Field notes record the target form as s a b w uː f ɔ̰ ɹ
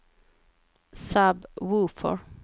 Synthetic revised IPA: s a b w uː f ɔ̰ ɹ